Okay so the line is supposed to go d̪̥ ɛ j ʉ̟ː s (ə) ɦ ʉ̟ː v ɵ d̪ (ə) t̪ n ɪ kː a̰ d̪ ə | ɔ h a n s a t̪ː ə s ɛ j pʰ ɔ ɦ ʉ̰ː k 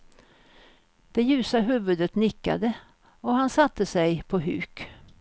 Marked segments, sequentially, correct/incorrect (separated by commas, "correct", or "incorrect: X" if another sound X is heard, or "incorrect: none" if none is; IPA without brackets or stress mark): incorrect: a, correct